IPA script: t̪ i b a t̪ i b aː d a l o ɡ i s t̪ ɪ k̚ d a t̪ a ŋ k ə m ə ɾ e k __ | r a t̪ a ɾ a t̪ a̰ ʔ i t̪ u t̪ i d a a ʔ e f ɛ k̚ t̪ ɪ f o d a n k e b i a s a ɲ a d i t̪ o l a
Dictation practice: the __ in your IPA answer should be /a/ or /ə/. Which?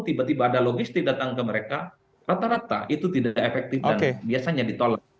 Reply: a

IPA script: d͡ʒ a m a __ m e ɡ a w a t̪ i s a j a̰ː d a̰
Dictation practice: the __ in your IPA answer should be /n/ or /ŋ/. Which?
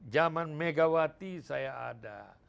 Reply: n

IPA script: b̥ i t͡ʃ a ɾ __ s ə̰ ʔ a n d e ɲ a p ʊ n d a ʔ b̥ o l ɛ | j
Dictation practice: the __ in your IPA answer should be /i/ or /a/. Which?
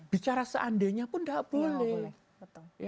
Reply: a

